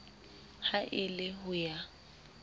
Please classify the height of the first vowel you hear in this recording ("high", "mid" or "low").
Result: low